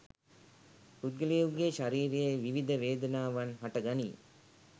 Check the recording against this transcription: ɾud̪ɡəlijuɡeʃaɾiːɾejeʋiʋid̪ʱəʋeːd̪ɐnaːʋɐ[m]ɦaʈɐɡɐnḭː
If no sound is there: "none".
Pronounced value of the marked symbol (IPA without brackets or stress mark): n